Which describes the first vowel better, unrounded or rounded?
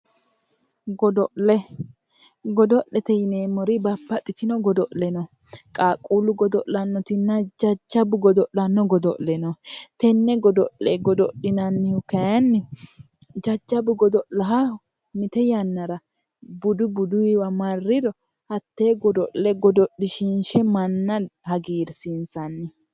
rounded